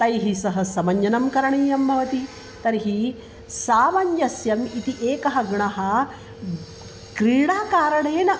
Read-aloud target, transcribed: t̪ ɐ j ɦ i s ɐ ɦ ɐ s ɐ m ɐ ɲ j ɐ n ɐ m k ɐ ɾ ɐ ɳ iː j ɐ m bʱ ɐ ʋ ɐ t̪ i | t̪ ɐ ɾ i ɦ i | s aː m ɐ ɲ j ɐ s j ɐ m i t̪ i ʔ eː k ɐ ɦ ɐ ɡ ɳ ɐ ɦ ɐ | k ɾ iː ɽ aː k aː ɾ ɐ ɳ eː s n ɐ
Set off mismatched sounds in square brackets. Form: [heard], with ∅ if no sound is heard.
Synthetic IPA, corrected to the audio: t̪ ɐ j ɦ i s ɐ ɦ ɐ s ɐ m ɐ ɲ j ɐ n ɐ m k ɐ ɾ ɐ ɳ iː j ɐ m bʱ ɐ ʋ ɐ t̪ i | t̪ ɐ ɾ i ɦ i | s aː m ɐ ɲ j ɐ s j ɐ m i t̪ i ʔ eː k ɐ ɦ ɐ ɡ ɳ ɐ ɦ ɐ | k ɾ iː ɽ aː k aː ɾ ɐ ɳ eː [∅] n ɐ